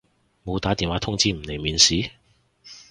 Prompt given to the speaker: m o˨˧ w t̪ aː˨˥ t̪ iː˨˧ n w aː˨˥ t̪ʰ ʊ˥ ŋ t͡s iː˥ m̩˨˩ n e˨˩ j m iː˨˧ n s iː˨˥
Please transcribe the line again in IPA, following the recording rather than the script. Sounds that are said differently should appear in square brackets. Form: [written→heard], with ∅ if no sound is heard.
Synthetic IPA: m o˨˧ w t̪ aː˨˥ t̪ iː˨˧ n w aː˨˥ t̪ʰ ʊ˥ ŋ t͡s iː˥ m̩˨˩ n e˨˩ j m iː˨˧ n s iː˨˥